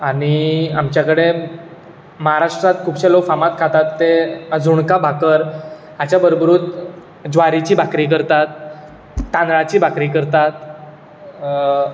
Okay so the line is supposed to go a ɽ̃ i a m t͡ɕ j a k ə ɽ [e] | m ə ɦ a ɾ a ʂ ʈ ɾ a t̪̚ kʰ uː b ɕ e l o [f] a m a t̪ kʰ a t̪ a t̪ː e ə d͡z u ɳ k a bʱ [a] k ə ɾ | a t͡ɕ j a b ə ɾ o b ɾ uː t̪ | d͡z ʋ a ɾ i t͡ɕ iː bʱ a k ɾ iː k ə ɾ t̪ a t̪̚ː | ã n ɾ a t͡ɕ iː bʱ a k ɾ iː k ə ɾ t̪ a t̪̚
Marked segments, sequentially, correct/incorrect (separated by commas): correct, correct, correct